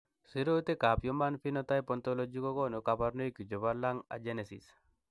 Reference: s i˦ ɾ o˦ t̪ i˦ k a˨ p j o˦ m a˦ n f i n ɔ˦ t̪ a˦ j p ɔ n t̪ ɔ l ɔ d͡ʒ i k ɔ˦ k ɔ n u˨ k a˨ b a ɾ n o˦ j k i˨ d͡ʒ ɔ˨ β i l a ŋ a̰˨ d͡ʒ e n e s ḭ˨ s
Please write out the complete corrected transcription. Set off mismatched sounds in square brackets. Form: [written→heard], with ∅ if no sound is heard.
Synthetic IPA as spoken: s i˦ ɾ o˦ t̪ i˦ k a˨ p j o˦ m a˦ n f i n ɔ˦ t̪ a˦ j p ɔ n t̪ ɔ l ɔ d͡ʒ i k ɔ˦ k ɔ n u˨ k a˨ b a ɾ n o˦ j k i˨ d͡ʒ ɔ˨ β [i→a] l a ŋ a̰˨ d͡ʒ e n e s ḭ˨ s